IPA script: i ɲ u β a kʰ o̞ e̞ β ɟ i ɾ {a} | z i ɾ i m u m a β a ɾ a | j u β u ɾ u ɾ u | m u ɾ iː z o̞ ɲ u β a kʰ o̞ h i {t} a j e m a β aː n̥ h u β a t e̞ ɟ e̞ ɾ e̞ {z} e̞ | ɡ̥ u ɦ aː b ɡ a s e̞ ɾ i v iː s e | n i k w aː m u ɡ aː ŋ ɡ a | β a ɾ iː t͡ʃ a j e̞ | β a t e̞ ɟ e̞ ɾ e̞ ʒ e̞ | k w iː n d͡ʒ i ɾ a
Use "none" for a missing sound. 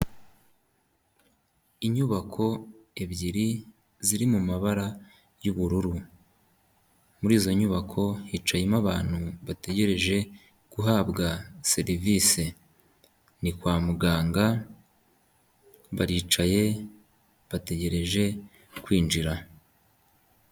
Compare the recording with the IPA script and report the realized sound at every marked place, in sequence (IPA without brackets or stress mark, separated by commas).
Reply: i, t͡ʃ, ʒ